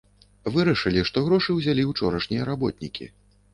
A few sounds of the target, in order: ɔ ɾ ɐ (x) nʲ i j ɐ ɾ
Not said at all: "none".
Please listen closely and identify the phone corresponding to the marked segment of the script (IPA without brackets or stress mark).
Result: ʂ